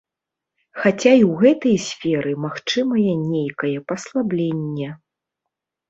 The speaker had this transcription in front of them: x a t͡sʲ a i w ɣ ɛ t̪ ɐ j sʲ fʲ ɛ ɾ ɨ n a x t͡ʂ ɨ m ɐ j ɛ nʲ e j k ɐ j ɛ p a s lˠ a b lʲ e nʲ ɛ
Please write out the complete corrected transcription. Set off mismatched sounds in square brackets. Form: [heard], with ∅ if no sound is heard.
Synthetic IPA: x a t͡sʲ a i w ɣ ɛ t̪ ɐ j sʲ fʲ ɛ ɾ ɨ [m] a x t͡ʂ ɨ m ɐ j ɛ nʲ e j k ɐ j ɛ p [ɐ] s lˠ a b lʲ e [nʲː] ɛ